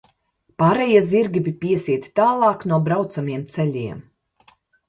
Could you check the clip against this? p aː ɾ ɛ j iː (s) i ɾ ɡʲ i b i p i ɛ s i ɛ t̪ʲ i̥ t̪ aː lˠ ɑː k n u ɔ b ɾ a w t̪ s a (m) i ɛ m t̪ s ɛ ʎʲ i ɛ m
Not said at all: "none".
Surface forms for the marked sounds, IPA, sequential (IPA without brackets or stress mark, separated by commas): z, m